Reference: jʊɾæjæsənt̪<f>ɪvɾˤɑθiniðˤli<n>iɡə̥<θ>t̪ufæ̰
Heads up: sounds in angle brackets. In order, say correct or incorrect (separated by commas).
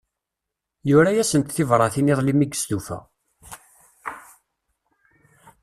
incorrect, incorrect, incorrect